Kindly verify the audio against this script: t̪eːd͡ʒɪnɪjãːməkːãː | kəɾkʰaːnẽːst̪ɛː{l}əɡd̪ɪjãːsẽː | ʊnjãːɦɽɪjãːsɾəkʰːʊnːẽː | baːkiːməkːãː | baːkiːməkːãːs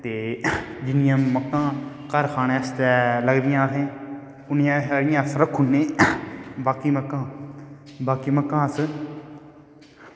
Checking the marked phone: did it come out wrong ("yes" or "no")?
no